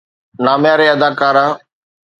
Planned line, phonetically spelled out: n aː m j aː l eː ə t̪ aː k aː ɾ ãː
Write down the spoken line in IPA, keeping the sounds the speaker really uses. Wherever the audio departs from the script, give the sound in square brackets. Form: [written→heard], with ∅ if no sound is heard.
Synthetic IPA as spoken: n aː m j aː [l→ɾ] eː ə [t̪→d̪] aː k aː ɾ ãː